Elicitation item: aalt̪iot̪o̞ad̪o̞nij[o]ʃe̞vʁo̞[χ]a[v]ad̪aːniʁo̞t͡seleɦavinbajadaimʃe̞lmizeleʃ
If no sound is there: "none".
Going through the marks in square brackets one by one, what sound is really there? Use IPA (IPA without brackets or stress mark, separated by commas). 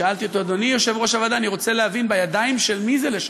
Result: o, ʃ, v